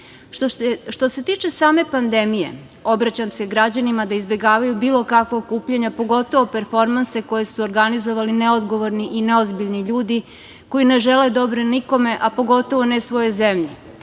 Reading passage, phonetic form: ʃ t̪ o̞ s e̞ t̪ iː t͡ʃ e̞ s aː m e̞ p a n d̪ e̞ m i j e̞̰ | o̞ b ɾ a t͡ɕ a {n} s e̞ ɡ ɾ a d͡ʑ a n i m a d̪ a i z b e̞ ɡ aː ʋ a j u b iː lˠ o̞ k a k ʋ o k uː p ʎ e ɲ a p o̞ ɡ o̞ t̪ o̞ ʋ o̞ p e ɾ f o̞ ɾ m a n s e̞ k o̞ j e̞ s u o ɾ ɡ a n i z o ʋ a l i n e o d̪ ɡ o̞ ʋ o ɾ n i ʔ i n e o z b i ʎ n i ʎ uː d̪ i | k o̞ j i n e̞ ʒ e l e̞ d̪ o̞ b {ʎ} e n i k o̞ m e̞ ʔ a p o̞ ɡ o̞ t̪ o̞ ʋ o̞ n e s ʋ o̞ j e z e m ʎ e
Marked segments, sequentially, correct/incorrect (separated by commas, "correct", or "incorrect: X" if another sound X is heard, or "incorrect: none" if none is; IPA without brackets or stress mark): incorrect: m, incorrect: ɾ